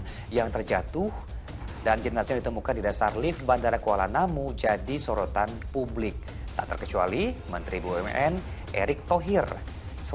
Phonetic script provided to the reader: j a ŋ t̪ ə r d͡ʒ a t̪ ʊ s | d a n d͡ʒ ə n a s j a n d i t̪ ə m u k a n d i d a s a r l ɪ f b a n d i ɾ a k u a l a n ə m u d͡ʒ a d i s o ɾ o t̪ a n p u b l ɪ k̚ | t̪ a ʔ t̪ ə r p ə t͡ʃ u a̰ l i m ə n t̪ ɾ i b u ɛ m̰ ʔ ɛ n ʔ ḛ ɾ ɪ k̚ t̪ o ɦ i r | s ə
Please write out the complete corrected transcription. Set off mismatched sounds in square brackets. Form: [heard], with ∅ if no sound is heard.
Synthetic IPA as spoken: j a ŋ t̪ ə r d͡ʒ a t̪ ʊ [h] | d a n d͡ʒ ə n a s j a [ŋ] d i t̪ ə m u k a n d i d a s a r l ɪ f b a n d [a] ɾ a k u a l a n [a] m u d͡ʒ a d i s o ɾ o t̪ a n p u b l ɪ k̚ | t̪ a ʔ t̪ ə r [k] ə t͡ʃ u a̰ l i m ə n t̪ ɾ i b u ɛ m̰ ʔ ɛ n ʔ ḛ ɾ ɪ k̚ t̪ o ɦ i r | s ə

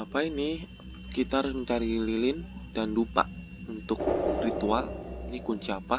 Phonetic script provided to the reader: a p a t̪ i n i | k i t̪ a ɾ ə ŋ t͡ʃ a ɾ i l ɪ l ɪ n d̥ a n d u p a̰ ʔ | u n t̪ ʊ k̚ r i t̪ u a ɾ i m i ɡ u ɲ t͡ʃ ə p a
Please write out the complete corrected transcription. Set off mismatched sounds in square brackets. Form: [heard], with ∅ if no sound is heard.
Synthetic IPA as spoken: a p a [∅] i n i | k i t̪ a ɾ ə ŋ t͡ʃ a ɾ i l [i] l ɪ n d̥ a n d u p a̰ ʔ | u n t̪ ʊ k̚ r i t̪ u a [l] i [n] i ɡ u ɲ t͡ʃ [a] p a

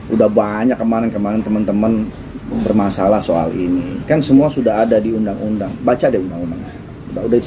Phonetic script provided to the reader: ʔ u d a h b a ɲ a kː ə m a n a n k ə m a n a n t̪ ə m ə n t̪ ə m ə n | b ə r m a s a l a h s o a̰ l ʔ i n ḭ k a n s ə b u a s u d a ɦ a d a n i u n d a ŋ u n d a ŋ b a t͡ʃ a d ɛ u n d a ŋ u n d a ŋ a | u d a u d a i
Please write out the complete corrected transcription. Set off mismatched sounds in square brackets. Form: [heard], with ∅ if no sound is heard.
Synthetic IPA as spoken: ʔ u d a h b a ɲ a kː ə m a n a n k ə m a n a n t̪ ə m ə n t̪ ə m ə n | b ə r m a s a l a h s o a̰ l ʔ i n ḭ k a n s ə [m] u a s u d a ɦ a d a [d] i u n d a ŋ u n d a ŋ b a t͡ʃ a d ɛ u n d a ŋ u n d a ŋ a | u d a u d a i

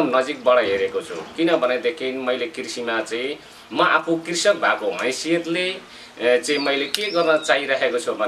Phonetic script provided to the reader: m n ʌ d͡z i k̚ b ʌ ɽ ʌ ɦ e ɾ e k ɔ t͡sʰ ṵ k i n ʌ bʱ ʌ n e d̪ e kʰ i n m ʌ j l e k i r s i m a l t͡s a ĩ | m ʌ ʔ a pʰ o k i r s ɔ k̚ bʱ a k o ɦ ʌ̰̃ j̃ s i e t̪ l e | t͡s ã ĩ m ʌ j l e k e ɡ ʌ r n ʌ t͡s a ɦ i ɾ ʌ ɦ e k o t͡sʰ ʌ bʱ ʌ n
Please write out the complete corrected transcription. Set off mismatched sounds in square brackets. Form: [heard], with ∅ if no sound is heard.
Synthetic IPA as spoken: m n ʌ d͡z i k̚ b ʌ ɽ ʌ ɦ e ɾ e k [o] t͡sʰ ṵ k i n ʌ bʱ ʌ n e d̪ e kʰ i n m ʌ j l e k i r s i m a [∅] t͡s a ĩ | m ʌ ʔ a pʰ o k i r s [ʌ] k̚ bʱ a k o ɦ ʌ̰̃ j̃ s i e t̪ l e | t͡s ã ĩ m ʌ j l e k e ɡ ʌ r n ʌ t͡s a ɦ i ɾ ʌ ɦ e k o t͡sʰ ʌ bʱ ʌ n

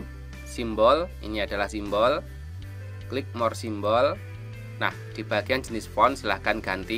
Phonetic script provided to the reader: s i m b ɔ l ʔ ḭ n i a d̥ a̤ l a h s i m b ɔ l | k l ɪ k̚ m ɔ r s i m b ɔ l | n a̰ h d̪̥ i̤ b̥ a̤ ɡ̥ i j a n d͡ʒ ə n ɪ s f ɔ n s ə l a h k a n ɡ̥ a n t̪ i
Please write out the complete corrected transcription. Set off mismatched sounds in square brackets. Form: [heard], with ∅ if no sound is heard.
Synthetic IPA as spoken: s i m b ɔ l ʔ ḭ n i a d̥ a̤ l a h s i m b ɔ l | k l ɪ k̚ m ɔ r s i m b ɔ l | n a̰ h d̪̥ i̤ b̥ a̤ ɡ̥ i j a n d͡ʒ ə n ɪ s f ɔ n s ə l a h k a n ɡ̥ a n t̪ i

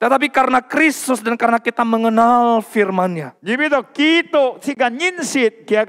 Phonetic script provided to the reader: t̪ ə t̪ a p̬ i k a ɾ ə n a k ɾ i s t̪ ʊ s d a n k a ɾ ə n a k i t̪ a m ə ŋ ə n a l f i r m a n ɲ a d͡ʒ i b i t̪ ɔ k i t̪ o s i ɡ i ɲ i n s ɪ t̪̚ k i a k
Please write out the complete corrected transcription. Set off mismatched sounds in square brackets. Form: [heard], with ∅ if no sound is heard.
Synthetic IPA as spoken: t̪ ə t̪ a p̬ i k a ɾ ə n a k ɾ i s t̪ ʊ s d a n k a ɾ ə n a k i t̪ a m ə ŋ ə n a l f i r m a n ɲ a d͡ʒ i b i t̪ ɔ k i t̪ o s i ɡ [a] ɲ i n s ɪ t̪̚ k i a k

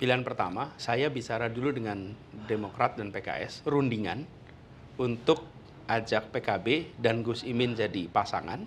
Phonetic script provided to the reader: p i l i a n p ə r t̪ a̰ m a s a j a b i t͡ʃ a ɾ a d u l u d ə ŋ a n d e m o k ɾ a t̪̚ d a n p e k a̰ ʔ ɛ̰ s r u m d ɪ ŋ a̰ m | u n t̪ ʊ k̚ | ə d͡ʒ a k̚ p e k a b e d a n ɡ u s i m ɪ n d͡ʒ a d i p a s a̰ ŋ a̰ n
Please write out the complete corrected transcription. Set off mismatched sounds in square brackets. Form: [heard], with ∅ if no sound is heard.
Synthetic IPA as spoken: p i l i a n p ə r t̪ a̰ m a s a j a b i t͡ʃ a ɾ a d u l u d ə ŋ a n d e m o k ɾ a t̪̚ d a n p e k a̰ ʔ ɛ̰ s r u [n] d [i] ŋ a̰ [n] | u n t̪ ʊ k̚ | [a] d͡ʒ a k̚ p e k a b e d a n ɡ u s i m ɪ n d͡ʒ a d i p a s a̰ ŋ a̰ n

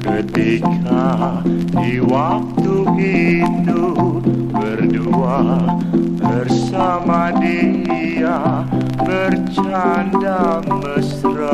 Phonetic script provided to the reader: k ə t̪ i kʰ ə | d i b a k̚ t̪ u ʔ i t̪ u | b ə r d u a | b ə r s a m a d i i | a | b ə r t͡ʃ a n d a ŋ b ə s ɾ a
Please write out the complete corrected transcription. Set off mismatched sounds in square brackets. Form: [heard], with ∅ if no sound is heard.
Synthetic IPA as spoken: k ə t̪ i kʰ [a] | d i [w] a k̚ t̪ u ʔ i t̪ u | b ə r d u a | b ə r s a m a d i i | a | b ə r t͡ʃ a n d a ŋ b ə s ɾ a

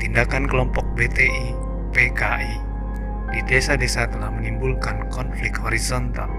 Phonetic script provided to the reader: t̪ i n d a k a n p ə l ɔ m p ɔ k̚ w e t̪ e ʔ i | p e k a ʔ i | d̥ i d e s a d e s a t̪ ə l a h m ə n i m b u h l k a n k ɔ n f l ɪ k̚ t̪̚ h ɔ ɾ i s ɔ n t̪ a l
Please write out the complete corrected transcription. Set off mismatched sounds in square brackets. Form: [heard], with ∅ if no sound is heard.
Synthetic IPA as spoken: t̪ i n d a k a n [k] ə l ɔ m p ɔ k̚ [b] e t̪ e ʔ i | p e k a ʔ i | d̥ i d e s a d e s a t̪ ə l a h m ə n i m b u [∅] l k a n k ɔ n f l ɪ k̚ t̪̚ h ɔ ɾ i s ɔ n t̪ a l

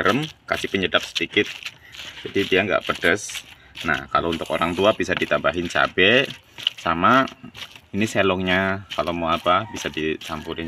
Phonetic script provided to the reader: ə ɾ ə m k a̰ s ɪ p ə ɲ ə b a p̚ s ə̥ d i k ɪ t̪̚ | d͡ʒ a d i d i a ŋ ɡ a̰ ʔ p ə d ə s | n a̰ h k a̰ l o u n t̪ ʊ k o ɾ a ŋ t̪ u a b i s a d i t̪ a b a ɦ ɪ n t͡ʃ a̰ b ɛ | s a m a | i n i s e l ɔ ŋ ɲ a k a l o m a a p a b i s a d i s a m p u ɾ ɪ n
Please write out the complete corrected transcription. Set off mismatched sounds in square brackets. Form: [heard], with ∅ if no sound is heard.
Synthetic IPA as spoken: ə ɾ ə m k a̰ s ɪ p ə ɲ ə [d] a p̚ s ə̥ d i k ɪ t̪̚ | d͡ʒ a d i d i a ŋ ɡ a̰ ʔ p ə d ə s | n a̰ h k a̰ l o u n t̪ ʊ k o ɾ a ŋ t̪ u a b i s a d i t̪ a b a ɦ ɪ n t͡ʃ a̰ b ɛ | s a m a | i n i s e l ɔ ŋ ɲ a k a l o m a a p a b i s a d i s a m p u ɾ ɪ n

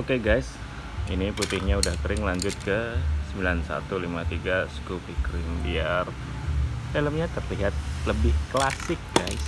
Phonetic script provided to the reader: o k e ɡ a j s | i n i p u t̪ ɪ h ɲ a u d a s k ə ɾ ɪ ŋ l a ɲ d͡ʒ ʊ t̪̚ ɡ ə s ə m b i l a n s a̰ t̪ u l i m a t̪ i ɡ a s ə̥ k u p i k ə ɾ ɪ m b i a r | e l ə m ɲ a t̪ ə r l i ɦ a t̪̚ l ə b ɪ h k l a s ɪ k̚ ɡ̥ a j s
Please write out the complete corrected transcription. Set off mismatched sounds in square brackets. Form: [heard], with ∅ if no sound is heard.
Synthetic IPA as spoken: o k e ɡ a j s | i n i p u t̪ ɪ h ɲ a u d a [h] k ə ɾ ɪ ŋ l a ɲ d͡ʒ ʊ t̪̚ [k] ə s ə m b i l a n s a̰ t̪ u l i m a t̪ i ɡ a s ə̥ k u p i k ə ɾ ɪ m b i a r | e l ə m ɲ a t̪ ə r l i ɦ a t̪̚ l ə b ɪ h k l a s ɪ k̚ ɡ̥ a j s

